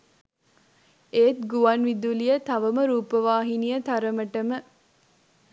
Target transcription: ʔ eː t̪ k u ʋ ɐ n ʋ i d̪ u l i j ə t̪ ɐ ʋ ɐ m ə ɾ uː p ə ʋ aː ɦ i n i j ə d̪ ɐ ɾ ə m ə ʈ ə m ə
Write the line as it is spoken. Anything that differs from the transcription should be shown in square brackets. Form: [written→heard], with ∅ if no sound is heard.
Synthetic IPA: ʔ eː t̪ [k→ɡ] u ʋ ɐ n ʋ i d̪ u l i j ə t̪ ɐ ʋ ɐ m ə ɾ uː p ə ʋ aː ɦ i n i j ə [d̪→t̪] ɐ ɾ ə m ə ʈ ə m ə